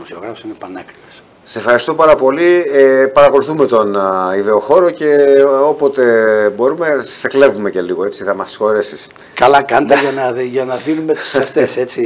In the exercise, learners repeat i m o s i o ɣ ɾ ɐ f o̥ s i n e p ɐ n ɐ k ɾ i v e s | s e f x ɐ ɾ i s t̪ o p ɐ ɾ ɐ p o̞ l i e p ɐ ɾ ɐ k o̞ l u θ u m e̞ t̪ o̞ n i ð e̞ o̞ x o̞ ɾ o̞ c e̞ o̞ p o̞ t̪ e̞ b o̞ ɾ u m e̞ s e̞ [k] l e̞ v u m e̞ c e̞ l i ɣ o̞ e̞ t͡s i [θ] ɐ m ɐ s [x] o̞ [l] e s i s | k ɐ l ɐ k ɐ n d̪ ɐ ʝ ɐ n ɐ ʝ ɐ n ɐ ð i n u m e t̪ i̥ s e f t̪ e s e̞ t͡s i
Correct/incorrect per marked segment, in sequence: correct, correct, correct, incorrect: ɾ

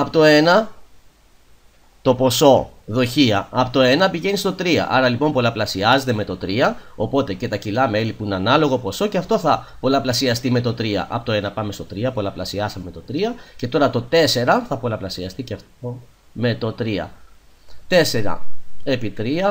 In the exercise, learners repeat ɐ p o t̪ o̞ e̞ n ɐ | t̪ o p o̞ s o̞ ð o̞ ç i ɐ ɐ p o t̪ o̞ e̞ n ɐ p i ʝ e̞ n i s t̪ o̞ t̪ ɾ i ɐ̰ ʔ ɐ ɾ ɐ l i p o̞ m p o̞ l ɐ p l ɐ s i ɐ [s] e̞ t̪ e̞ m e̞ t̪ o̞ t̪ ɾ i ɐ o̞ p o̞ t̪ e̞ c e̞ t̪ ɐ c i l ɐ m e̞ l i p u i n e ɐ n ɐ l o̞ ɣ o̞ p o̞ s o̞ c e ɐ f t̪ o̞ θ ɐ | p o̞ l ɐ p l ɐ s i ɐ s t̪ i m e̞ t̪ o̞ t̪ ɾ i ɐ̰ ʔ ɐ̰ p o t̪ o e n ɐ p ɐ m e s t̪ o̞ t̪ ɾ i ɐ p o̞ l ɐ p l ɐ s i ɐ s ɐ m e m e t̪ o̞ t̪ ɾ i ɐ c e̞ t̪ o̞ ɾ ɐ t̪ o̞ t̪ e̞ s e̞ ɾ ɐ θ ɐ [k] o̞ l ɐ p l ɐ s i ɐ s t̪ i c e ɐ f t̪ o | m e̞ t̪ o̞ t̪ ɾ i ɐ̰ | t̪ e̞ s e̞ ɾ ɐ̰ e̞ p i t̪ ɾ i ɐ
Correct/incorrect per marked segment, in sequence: incorrect: z, incorrect: p

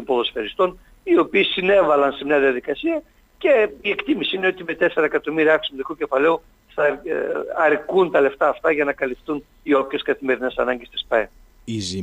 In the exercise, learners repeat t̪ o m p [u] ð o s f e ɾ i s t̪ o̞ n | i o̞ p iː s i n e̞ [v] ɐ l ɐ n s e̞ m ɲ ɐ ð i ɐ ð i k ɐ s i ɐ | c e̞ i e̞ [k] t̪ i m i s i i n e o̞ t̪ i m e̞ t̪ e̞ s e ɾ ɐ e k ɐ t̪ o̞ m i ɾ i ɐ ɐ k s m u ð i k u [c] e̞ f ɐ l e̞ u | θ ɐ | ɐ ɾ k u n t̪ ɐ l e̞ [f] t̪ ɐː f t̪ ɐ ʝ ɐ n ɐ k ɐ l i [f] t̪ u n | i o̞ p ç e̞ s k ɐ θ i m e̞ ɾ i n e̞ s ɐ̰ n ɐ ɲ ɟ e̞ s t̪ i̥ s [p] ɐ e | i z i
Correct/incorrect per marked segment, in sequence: incorrect: o, correct, correct, correct, correct, correct, correct

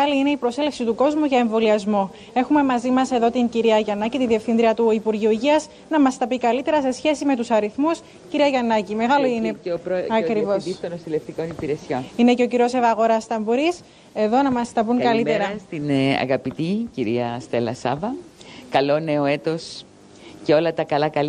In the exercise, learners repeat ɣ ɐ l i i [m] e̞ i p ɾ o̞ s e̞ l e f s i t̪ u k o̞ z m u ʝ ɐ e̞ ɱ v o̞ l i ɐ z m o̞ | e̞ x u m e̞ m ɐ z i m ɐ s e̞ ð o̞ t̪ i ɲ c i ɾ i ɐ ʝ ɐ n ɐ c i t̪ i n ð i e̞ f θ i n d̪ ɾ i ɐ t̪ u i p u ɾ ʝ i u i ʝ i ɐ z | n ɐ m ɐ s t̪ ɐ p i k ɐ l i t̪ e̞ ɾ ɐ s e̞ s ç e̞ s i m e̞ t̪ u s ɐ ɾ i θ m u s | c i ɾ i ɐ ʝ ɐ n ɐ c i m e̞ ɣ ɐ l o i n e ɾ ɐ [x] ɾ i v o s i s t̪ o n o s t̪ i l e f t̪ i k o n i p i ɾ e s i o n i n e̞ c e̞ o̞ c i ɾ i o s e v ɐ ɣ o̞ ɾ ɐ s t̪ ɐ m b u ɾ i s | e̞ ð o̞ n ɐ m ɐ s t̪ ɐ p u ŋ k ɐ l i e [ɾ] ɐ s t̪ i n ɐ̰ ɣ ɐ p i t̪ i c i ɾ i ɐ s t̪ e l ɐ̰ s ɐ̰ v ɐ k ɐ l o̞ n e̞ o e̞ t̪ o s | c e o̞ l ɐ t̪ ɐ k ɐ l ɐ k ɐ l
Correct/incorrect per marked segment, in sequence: incorrect: n, incorrect: k, correct

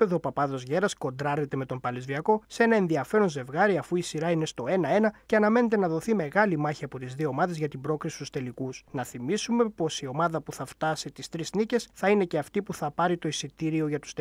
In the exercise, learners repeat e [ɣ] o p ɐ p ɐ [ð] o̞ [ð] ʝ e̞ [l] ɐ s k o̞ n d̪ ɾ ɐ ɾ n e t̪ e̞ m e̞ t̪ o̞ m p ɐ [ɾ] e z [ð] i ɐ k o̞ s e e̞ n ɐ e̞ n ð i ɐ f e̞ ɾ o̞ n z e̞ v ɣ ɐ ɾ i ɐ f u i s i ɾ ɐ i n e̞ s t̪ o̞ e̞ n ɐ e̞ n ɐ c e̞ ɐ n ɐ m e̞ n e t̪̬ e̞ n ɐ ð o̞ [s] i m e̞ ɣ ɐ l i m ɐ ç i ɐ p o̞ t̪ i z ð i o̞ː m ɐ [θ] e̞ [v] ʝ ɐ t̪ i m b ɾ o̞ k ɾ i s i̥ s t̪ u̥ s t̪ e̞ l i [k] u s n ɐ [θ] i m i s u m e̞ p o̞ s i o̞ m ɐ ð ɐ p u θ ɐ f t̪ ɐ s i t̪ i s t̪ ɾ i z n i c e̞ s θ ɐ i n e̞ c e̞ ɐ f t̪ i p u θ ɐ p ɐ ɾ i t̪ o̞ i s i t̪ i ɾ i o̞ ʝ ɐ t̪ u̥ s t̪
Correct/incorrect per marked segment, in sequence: incorrect: ð, correct, incorrect: z, incorrect: ɾ, incorrect: l, incorrect: v, incorrect: θ, incorrect: ð, incorrect: z, correct, correct

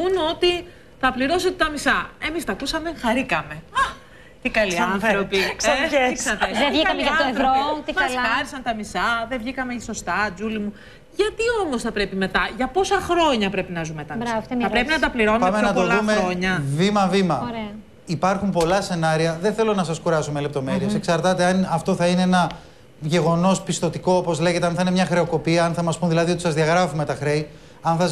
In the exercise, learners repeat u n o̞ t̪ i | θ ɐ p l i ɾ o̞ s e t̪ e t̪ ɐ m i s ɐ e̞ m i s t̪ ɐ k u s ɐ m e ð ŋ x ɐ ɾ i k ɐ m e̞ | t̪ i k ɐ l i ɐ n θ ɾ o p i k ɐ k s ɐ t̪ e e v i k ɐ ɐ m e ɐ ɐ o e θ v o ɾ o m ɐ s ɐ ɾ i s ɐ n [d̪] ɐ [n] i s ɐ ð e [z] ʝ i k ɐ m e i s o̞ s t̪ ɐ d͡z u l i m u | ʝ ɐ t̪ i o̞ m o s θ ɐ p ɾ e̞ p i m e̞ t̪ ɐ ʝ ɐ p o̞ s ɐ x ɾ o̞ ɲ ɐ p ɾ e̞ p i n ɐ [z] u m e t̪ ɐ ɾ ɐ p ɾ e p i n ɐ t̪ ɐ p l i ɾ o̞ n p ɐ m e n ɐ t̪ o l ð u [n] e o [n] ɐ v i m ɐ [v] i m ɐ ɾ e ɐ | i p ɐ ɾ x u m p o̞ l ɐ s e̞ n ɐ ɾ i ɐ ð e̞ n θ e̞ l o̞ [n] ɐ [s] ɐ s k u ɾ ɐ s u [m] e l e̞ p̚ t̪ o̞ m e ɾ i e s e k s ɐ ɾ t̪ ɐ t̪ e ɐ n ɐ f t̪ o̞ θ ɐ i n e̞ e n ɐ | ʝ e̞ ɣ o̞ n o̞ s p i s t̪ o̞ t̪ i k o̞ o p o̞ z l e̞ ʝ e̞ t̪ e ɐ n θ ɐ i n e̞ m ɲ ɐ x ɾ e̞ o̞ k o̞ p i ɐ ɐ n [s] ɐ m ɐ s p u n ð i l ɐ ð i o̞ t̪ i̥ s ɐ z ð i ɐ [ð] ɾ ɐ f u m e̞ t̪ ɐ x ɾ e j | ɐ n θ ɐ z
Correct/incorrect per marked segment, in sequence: incorrect: t̪, incorrect: m, incorrect: v, correct, incorrect: m, incorrect: ɲ, correct, correct, correct, correct, incorrect: θ, incorrect: ɣ

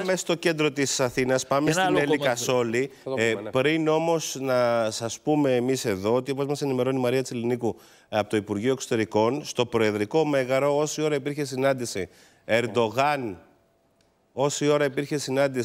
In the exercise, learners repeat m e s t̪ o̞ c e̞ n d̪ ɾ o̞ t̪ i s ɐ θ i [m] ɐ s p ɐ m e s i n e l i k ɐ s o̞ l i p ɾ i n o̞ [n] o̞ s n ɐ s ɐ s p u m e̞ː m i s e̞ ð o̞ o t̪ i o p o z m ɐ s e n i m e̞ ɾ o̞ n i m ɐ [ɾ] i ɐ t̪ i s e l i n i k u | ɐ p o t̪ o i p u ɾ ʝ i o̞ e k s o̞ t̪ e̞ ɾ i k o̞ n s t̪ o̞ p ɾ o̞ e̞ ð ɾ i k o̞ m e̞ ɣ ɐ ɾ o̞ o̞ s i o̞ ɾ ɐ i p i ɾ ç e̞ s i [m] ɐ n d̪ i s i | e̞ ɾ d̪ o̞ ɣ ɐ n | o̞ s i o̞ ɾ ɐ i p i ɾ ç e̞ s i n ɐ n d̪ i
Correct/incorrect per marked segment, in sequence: incorrect: n, incorrect: m, correct, incorrect: n

